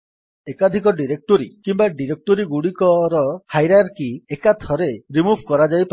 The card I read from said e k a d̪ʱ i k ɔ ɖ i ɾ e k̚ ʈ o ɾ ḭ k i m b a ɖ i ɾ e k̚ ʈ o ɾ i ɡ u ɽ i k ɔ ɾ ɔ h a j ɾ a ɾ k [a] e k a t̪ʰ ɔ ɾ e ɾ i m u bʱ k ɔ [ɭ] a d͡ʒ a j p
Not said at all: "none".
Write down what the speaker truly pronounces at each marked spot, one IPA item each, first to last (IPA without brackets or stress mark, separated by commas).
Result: i, ɾ